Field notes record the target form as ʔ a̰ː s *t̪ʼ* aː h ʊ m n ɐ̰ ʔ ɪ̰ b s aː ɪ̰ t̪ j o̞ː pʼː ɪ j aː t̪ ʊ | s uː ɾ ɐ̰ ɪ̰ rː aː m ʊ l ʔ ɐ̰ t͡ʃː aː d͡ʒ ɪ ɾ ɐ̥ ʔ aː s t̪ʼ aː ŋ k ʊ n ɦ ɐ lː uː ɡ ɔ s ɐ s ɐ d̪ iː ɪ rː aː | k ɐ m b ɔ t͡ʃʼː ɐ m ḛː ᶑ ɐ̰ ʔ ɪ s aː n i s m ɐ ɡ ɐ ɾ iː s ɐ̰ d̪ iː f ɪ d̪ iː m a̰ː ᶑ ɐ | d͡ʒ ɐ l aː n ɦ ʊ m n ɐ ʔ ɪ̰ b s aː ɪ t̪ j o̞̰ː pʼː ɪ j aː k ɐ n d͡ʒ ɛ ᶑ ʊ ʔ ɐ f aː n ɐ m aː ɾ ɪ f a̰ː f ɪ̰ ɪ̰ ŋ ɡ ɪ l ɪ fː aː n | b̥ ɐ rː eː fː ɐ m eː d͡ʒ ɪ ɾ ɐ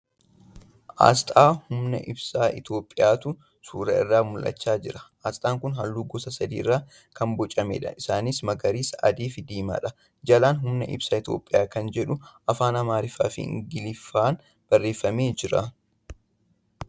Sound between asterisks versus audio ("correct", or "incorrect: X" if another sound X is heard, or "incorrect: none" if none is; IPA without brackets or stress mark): correct